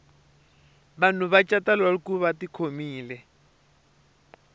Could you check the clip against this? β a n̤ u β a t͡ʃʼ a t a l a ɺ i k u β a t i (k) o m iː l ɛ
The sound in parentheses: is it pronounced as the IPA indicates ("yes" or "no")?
no